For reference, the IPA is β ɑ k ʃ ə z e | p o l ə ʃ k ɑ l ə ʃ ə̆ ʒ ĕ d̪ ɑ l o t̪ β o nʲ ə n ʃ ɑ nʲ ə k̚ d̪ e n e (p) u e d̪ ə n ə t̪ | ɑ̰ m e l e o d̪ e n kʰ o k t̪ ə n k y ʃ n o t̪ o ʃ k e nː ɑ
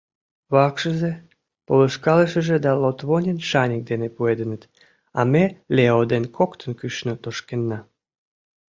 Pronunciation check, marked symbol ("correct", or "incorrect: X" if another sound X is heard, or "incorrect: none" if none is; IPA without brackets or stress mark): correct